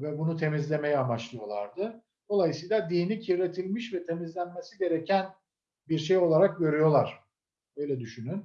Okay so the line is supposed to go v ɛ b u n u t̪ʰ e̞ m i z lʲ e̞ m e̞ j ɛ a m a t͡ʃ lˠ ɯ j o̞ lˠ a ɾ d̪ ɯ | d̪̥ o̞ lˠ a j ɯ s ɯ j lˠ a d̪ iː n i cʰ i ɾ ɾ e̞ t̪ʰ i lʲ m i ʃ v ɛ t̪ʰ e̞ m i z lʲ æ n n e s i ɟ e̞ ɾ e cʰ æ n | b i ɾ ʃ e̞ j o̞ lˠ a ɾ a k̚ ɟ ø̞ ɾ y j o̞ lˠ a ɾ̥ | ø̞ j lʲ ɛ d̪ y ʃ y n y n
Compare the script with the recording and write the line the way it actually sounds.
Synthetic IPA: v ɛ b u n u t̪ʰ e̞ m i z lʲ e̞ m e̞ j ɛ a m a t͡ʃ lˠ ɯ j o̞ lˠ a ɾ d̪ ɯ | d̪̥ o̞ lˠ a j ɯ s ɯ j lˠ a d̪ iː n i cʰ i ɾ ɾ e̞ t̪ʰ i lʲ m i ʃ v ɛ t̪ʰ e̞ m i z lʲ æ n m e s i ɟ e̞ ɾ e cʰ æ n | b i ɾ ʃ e̞ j o̞ lˠ a ɾ a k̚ ɟ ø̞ ɾ y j o̞ lˠ a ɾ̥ | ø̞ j lʲ ɛ d̪ y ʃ y n y n